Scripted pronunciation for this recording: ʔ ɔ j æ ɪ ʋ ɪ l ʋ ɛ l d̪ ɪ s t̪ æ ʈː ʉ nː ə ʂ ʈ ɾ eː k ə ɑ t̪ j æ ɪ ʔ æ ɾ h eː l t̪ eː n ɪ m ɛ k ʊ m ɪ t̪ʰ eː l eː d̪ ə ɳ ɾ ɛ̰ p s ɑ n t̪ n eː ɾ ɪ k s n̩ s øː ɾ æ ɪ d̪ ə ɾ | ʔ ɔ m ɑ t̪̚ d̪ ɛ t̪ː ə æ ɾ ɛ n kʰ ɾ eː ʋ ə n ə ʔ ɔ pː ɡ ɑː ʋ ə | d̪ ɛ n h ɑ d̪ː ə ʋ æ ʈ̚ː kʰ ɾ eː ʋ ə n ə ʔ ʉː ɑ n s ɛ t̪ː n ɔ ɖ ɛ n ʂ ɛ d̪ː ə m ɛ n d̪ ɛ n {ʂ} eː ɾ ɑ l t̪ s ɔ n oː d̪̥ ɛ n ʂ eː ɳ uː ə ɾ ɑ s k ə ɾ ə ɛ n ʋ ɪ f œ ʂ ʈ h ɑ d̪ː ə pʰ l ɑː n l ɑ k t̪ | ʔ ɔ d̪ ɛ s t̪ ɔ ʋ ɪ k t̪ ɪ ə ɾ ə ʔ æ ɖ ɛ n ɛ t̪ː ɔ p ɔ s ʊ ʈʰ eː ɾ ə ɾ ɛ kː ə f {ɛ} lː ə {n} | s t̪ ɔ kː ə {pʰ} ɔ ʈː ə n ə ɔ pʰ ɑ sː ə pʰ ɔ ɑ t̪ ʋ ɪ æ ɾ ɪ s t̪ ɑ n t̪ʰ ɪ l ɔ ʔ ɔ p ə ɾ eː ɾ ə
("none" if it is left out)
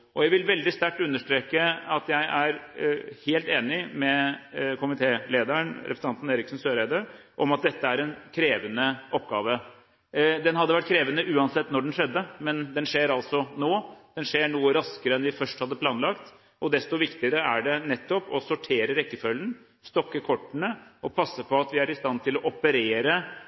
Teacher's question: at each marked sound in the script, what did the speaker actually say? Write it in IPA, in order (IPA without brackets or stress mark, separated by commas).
ʂ, œ, n, kʰ